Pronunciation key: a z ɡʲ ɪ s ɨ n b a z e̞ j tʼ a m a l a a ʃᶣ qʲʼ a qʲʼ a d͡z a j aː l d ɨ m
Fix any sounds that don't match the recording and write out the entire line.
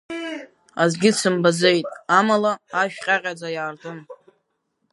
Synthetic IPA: a z ɡʲ ɪ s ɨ m b a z e̞ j tʼ a m a l a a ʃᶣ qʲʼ a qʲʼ a d͡z a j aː r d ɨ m

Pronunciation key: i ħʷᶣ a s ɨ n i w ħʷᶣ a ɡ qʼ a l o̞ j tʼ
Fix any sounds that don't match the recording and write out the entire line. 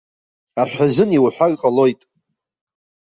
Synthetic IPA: a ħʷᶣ a z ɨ n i w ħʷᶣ a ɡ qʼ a l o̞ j tʼ

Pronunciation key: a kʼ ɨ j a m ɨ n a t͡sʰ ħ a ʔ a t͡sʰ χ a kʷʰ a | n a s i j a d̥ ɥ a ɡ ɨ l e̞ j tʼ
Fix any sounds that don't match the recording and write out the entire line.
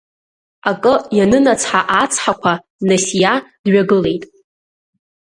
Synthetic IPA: a kʼ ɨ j a n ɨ n a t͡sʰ ħ a ʔ a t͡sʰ ħ a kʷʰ a | n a s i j a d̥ ɥ a ɡ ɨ l e̞ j tʼ

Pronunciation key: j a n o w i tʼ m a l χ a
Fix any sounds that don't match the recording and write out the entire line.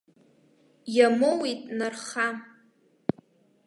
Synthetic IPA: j a m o w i tʼ n a r χ a

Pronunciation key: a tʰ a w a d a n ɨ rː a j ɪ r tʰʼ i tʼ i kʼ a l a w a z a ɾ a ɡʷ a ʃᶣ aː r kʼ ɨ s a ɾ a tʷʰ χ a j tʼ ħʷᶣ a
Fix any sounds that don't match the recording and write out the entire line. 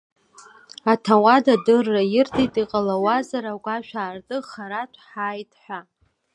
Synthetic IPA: a tʰ a w a d a d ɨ rː a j ɪ r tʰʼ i tʼ i qʼ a l a w a z a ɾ a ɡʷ a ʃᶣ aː r tʼ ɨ χ a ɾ a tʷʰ ħ a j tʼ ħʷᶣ a

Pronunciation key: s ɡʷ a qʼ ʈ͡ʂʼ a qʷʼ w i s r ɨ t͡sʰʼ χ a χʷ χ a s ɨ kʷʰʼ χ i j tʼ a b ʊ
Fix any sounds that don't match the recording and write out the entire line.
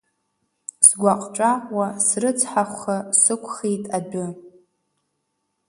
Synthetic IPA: s ɡʷ a qʼ ʈ͡ʂʼ a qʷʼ w a s r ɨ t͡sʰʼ ħ a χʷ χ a s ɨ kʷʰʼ χ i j tʼ a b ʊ

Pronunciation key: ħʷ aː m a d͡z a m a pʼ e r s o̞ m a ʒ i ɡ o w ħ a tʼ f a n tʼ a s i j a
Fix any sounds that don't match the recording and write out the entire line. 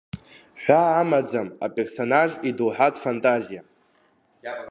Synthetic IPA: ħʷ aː m a d͡z a m a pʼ e r s o̞ n a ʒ i d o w ħ a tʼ f a n tʼ a z i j a

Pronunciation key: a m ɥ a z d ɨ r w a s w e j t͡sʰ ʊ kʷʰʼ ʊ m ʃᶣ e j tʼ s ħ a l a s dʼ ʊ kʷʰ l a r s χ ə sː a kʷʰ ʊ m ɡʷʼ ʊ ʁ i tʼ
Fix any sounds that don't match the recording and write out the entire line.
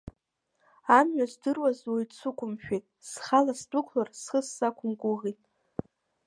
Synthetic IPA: a m ɥ a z d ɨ r w a z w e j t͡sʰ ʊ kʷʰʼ ʊ m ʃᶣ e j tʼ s χ a l a s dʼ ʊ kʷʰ l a r s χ ə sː a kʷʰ ʊ m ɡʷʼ ʊ ʁ i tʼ

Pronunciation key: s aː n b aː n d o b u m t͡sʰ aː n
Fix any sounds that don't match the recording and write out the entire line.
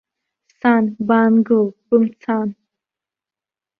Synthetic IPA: s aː n b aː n ɡ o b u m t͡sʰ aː n

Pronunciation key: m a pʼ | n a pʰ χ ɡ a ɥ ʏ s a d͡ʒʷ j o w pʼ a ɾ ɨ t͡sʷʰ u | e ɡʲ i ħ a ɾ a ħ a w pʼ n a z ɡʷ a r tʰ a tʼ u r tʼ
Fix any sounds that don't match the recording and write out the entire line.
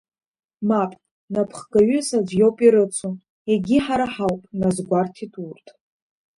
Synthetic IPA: m a pʼ | n a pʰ χ ɡ a ɥ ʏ s a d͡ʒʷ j o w pʼ i ɾ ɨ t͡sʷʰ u | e ɡʲ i ħ a ɾ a ħ a w pʼ n a z ɡʷ a r tʰ i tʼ u r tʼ

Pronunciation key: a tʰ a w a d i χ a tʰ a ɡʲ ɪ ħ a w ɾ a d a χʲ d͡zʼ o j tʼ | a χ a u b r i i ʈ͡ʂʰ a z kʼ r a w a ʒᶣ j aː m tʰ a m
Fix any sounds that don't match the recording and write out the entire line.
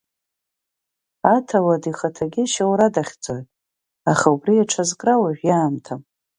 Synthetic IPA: a tʰ a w a d i χ a tʰ a ɡʲ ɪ ʃ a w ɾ a d a χʲ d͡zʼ o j tʼ | a χ a u b r i a ʈ͡ʂʰ a z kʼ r a w a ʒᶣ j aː m tʰ a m

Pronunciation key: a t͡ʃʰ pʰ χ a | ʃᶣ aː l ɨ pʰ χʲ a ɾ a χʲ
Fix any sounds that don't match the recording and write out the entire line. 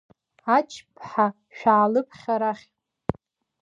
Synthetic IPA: a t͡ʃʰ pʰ ħ a | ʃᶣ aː l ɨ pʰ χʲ a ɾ a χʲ

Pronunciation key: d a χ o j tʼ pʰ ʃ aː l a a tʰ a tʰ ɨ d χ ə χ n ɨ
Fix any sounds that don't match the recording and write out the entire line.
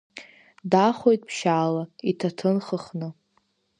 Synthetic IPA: d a χ o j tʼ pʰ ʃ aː l a i tʰ a tʰ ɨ n χ ə χ n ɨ

